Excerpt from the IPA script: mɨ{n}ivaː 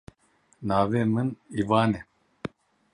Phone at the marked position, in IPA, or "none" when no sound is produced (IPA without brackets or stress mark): n